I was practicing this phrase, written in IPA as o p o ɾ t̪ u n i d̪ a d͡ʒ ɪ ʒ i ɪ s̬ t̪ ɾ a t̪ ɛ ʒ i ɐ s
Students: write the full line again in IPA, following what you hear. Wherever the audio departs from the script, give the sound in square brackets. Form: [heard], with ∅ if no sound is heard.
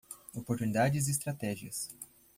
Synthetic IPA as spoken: o p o ɾ t̪ u n i d̪ a d͡ʒ ɪ [z] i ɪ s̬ t̪ ɾ a t̪ ɛ ʒ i ɐ s